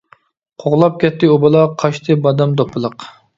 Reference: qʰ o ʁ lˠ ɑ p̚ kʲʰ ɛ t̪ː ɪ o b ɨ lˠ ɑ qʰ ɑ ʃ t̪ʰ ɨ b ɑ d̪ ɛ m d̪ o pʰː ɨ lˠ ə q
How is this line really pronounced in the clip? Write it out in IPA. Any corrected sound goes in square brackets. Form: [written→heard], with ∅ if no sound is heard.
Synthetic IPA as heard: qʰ o ʁ lˠ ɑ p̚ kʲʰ ɛ t̪ː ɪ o b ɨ lˠ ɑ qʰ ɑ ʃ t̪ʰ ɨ b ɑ d̪ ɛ m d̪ o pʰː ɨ lˠ ə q